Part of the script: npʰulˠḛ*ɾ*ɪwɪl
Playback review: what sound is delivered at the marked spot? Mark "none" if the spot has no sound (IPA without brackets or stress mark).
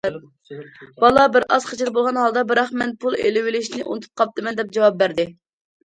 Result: l